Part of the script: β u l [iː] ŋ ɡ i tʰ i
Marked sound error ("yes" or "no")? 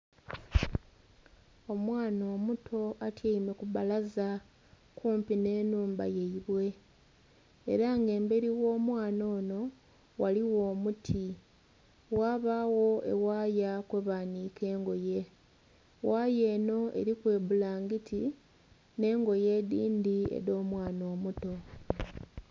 yes